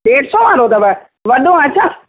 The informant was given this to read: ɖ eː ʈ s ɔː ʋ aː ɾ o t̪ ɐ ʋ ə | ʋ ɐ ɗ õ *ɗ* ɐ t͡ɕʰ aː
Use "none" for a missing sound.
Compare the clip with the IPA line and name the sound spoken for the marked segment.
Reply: none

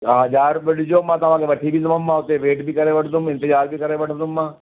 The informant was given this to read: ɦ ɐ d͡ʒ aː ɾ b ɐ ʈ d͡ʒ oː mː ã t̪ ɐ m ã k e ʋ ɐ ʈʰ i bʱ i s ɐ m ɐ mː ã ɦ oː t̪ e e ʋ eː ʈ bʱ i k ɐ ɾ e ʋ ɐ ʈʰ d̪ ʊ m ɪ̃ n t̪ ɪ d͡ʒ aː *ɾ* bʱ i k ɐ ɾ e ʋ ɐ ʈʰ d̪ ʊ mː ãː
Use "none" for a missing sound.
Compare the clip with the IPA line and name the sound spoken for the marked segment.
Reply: ɾ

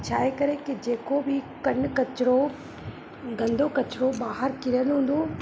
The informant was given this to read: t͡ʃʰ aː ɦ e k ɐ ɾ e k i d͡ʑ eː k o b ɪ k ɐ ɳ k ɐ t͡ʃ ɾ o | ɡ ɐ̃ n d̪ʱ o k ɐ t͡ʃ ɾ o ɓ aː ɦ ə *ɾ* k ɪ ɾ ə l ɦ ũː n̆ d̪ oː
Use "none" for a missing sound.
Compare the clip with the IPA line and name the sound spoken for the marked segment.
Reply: ɾ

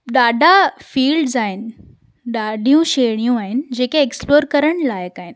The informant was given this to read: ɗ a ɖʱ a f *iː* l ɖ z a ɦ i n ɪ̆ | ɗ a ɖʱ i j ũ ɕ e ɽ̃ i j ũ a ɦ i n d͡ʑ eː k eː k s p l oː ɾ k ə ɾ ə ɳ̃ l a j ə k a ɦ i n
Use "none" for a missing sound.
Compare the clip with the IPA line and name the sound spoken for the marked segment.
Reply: iː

